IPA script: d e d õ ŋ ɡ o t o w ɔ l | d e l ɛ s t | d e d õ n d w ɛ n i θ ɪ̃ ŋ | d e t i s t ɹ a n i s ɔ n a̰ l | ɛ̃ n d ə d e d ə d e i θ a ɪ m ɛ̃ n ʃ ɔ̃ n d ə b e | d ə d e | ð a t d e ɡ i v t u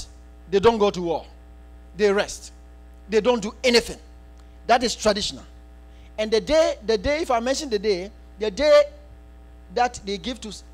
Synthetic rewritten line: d e d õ n ɡ o t u w ɔ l | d e ɹ ɛ s t | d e d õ n d u ɛ n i θ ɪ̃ ŋ | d a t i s t ɹ a d i ʃ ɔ n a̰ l | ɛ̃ n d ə d e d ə d e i f a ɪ m ɛ̃ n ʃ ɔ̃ n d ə d e | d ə d e | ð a t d e ɡ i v t u